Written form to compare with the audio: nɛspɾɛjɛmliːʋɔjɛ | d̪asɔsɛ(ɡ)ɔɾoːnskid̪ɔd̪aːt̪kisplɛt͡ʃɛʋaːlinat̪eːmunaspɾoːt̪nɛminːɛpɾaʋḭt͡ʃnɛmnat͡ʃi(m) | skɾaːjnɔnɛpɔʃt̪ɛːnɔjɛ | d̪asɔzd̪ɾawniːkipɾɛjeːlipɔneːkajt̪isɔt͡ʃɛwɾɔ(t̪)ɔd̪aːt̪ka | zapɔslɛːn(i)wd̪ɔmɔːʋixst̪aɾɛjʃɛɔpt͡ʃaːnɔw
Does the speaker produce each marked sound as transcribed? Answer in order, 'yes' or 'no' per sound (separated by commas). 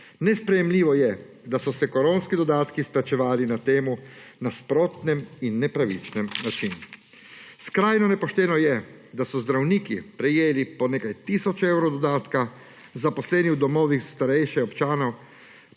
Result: no, no, no, yes